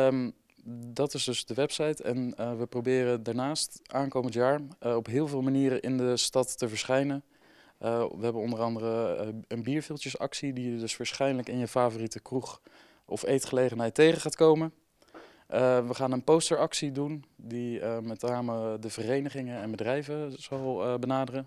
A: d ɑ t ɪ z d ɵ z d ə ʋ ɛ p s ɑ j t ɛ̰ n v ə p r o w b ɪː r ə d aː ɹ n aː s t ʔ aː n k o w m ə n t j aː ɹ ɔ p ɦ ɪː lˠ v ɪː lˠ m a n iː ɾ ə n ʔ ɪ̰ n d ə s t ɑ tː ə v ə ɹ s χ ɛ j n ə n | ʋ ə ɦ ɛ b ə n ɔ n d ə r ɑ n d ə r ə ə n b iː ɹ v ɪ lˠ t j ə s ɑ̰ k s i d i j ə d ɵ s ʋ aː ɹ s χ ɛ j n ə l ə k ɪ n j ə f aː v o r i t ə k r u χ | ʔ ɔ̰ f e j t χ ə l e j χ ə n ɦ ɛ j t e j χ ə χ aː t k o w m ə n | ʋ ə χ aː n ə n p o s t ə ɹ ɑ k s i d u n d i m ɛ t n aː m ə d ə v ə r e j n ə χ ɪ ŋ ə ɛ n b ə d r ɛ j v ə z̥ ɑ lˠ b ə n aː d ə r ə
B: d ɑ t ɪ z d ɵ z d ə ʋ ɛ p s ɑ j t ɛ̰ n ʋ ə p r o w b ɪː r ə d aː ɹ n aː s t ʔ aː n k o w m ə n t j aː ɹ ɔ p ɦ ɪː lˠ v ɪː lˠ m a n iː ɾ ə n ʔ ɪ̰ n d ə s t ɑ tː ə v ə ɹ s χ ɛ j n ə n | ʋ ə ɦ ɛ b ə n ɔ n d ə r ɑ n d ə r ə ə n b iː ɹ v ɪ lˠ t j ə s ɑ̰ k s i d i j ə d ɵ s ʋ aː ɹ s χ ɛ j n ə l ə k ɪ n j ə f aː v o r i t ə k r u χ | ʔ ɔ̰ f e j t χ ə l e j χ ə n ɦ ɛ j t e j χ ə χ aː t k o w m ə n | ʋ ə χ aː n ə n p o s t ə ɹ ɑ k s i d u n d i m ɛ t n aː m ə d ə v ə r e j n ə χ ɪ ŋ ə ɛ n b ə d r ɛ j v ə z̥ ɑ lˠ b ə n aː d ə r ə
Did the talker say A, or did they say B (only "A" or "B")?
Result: B